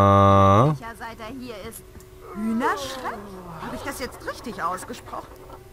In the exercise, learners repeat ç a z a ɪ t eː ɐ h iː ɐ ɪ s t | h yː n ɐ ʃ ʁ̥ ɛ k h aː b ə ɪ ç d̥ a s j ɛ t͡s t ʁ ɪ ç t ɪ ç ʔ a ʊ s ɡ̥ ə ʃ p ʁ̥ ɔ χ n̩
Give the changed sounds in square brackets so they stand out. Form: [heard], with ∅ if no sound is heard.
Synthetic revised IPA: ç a z a ɪ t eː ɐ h iː ɐ ɪ s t | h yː n ɐ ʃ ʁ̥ ɛ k h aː b ə ɪ ç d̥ a s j ɛ t͡s t ʁ ɪ ç t ɪ ç ʔ a ʊ s ɡ̥ ə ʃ p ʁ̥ ɔ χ n̩